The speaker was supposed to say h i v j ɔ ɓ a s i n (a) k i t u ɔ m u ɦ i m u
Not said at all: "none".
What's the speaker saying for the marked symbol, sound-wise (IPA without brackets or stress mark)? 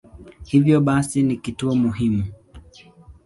i